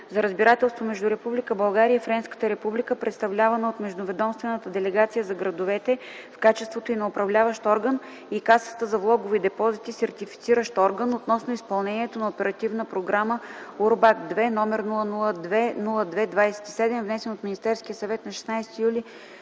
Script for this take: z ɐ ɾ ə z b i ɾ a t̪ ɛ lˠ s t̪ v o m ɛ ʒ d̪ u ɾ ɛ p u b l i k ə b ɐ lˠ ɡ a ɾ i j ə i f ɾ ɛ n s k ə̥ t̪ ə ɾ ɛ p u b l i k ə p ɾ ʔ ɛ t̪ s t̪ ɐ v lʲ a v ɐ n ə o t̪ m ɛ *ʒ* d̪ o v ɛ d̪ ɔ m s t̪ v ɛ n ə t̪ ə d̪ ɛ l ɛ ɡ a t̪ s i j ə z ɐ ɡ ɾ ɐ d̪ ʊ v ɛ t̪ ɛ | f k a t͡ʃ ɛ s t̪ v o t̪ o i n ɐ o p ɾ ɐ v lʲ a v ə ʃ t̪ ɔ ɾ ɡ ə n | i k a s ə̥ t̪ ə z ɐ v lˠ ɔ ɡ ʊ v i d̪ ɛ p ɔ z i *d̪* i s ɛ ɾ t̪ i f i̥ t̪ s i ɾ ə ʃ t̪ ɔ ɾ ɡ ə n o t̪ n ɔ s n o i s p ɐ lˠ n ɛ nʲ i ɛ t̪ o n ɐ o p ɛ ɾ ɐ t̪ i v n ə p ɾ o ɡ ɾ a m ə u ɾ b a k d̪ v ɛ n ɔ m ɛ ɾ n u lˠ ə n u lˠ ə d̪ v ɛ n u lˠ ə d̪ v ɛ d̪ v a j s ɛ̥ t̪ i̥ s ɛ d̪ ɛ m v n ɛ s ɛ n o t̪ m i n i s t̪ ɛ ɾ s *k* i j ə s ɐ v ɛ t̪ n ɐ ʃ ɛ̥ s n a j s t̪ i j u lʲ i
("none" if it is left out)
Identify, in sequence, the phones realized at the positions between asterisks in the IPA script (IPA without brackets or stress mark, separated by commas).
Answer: ʒ, t̪, k